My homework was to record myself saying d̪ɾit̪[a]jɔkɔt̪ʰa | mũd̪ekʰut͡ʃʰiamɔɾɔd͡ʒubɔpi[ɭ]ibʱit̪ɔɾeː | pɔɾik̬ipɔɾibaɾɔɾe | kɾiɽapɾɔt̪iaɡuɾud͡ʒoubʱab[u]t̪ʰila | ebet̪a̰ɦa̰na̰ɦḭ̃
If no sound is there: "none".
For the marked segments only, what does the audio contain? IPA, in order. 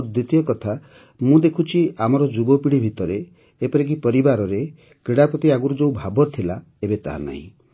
i, ɽ, ɔ

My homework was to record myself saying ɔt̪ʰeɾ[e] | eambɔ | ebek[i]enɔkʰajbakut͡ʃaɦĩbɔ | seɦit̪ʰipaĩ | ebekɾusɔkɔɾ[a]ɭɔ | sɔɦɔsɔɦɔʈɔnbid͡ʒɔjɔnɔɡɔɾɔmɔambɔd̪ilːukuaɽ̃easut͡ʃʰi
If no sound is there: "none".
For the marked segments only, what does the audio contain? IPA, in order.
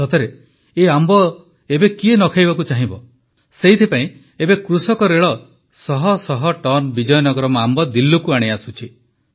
e, i, e

